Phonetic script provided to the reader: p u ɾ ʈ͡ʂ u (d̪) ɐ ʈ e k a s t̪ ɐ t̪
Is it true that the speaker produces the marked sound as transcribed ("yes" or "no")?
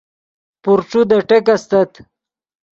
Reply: yes